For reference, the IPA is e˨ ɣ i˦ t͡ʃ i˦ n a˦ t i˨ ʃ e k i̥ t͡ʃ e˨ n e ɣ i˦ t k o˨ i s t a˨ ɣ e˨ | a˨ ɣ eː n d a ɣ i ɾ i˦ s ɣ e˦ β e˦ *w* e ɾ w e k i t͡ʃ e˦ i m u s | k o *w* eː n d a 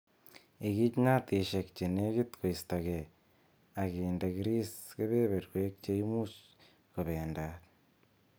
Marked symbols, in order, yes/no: no, no

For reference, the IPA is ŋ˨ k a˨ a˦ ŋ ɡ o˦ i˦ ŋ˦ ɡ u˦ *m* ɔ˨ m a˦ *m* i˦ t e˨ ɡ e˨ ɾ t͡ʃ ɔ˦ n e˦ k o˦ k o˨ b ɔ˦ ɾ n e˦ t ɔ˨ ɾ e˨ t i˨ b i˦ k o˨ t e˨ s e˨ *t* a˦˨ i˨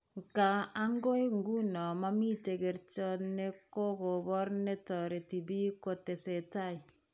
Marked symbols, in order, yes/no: no, yes, yes

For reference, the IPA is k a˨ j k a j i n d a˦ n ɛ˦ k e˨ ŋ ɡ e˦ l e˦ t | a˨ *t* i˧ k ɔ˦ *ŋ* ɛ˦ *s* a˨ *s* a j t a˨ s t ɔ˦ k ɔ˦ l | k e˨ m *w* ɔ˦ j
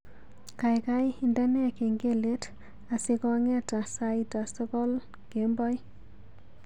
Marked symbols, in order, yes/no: no, yes, no, yes, no

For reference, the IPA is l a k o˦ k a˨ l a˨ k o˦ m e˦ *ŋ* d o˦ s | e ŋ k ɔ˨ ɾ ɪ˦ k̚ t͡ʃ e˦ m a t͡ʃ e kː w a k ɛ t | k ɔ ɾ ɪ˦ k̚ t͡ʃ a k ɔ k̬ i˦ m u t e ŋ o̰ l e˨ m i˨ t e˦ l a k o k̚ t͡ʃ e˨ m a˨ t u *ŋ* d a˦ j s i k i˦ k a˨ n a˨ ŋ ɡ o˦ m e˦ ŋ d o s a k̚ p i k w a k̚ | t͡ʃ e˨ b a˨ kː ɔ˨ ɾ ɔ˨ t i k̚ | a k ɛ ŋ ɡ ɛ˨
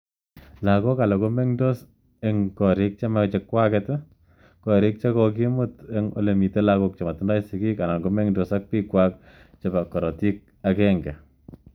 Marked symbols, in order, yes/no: yes, no

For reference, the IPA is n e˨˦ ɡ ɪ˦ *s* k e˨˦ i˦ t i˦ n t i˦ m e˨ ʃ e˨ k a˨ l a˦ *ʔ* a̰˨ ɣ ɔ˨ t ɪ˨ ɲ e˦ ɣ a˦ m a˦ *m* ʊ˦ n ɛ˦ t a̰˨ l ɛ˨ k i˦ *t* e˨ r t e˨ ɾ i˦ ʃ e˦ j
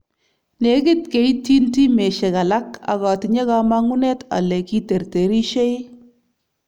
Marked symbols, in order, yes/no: no, no, no, yes

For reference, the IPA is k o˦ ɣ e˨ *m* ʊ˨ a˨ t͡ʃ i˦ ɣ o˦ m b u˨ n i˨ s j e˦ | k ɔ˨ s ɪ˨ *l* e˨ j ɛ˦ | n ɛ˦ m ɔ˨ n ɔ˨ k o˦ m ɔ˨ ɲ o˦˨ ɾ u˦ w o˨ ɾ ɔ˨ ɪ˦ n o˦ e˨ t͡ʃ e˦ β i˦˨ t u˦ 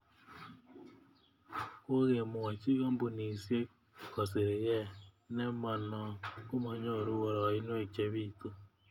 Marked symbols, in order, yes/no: yes, no

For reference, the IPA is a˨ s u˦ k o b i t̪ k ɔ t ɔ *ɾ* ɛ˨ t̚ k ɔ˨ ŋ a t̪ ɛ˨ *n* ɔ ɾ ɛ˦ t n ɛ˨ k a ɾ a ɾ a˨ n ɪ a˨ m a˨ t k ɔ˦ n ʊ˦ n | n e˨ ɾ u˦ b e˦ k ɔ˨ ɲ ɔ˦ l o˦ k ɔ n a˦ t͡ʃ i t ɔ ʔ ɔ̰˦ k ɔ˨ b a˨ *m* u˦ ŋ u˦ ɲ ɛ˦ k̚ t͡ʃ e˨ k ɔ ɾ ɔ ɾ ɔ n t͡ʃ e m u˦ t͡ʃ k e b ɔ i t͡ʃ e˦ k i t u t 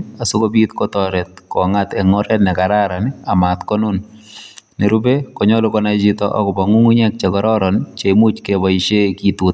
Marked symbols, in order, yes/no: yes, no, no

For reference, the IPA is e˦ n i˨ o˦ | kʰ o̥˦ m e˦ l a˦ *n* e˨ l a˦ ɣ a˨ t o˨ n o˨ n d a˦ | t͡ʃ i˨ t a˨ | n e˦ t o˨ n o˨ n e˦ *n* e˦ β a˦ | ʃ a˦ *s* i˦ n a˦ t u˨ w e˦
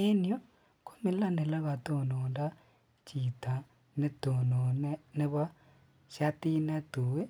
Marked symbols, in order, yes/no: yes, yes, no

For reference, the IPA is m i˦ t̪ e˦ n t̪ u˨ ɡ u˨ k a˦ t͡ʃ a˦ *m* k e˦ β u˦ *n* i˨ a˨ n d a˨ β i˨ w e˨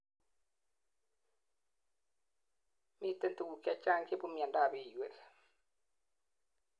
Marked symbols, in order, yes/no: no, no

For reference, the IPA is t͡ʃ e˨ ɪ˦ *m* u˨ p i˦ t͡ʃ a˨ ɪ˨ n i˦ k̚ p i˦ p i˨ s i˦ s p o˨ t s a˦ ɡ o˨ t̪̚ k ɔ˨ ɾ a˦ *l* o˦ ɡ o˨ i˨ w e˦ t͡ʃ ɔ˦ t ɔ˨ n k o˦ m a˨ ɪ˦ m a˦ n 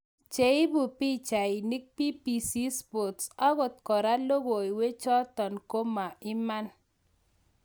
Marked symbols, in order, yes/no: no, yes

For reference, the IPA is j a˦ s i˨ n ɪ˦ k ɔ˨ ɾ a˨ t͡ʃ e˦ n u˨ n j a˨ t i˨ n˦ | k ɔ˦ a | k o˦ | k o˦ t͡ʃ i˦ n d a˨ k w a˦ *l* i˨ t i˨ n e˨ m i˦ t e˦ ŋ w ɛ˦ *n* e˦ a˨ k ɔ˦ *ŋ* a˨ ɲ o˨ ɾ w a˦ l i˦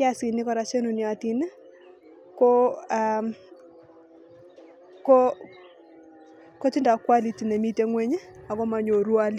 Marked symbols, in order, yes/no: yes, no, no

